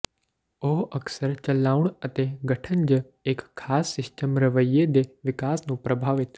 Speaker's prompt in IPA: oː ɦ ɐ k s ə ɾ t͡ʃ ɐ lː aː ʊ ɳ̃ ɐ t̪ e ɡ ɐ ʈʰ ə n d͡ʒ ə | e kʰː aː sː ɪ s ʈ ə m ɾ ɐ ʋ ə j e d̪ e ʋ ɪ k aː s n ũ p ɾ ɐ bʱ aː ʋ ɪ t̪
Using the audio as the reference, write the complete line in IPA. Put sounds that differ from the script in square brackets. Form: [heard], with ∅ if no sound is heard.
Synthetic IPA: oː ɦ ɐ k s ə ɾ t͡ʃ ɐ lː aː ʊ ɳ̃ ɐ t̪ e ɡ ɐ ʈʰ ə n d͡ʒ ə | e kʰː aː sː ɪ s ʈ ə m ɾ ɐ ʋ ə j e d̪ e ʋ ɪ k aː s n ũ p ɾ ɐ bʱ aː ʋ ɪ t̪